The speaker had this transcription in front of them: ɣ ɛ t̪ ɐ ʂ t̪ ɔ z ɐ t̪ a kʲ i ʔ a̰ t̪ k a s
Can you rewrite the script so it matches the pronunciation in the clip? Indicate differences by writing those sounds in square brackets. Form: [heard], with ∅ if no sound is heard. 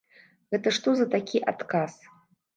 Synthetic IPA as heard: ɣ ɛ t̪ ɐ ʂ t̪ ɔ z ɐ t̪ a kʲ i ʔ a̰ t̪ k a s